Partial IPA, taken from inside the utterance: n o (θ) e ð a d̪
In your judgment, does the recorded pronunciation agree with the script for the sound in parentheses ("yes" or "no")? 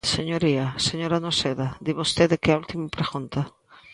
no